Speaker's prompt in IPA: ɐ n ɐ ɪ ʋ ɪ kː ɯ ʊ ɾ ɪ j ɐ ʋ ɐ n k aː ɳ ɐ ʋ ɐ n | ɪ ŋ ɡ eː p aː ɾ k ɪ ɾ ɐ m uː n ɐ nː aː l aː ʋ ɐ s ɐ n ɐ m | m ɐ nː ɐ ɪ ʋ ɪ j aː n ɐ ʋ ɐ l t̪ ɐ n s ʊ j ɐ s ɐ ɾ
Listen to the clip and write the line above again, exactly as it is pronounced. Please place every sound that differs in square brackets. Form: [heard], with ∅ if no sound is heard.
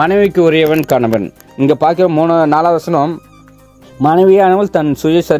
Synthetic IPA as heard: ɐ n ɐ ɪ ʋ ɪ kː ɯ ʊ ɾ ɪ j ɐ ʋ ɐ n k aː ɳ ɐ ʋ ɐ n | ɪ ŋ ɡ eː p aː ɾ k ɪ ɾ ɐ m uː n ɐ [n] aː l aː ʋ ɐ s ɐ n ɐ m | m ɐ [n] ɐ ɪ ʋ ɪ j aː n ɐ ʋ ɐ l t̪ ɐ n s ʊ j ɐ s ɐ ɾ